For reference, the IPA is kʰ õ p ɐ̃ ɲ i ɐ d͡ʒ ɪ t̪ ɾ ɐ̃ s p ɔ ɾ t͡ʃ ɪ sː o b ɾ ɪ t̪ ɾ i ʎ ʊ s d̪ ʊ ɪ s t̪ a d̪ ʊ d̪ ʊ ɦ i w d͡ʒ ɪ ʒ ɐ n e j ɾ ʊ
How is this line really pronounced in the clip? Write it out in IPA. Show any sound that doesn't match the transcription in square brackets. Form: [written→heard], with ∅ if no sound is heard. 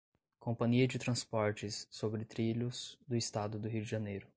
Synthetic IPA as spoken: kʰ õ p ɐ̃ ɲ i ɐ d͡ʒ ɪ t̪ ɾ ɐ̃ s p ɔ ɾ t͡ʃ ɪ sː o b ɾ ɪ t̪ ɾ i ʎ ʊ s d̪ ʊ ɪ s t̪ a d̪ ʊ d̪ ʊ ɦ i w d͡ʒ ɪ ʒ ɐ n e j ɾ ʊ

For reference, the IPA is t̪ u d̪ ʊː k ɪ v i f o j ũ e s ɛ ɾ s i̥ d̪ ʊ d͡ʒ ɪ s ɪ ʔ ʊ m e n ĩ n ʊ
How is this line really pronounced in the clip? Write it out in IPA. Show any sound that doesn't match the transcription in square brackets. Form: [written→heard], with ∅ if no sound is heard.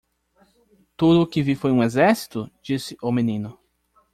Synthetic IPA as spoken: t̪ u d̪ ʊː k ɪ v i f o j ũ e [s→z] ɛ ɾ s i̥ [d̪→t̪] ʊ d͡ʒ [ɪ→i] s ɪ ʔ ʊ m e n ĩ n ʊ

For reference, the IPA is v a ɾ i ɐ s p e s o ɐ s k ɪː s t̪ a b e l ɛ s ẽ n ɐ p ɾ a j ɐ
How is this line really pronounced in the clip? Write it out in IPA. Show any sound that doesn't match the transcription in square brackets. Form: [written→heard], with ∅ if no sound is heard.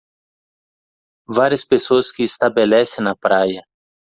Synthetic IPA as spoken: v a ɾ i ɐ s p e s o ɐ s k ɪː s t̪ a b e l ɛ s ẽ n ɐ p ɾ a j ɐ

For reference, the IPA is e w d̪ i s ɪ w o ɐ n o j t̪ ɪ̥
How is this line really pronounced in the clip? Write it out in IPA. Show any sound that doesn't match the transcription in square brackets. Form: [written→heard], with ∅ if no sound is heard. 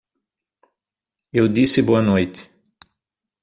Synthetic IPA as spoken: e w d̪ i s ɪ [w→b] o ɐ n o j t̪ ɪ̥

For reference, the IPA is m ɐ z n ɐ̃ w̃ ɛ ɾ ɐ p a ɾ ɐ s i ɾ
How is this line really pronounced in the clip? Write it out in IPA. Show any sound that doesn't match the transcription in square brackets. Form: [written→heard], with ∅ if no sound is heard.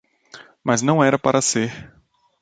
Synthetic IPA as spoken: m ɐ z n ɐ̃ w̃ ɛ ɾ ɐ p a ɾ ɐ s [i→e] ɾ

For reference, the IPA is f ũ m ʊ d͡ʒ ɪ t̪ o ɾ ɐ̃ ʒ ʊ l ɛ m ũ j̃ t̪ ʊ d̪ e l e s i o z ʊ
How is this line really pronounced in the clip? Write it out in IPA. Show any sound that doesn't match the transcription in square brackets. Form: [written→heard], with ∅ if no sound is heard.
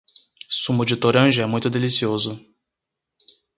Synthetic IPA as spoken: [f→s] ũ m ʊ d͡ʒ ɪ t̪ o ɾ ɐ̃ ʒ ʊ [l→∅] ɛ m ũ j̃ t̪ ʊ d̪ e l [e→i] s i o z ʊ

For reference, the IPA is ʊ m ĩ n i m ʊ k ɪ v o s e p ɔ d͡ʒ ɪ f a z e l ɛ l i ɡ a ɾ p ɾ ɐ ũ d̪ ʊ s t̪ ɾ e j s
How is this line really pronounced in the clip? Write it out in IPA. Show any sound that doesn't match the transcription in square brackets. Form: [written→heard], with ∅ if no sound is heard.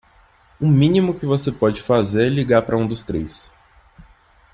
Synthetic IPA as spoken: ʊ m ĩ n i m ʊ k ɪ v o s e p ɔ d͡ʒ ɪ f a z e [l→ɾ] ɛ l i ɡ a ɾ p ɾ ɐ ũ d̪ ʊ s t̪ ɾ e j s

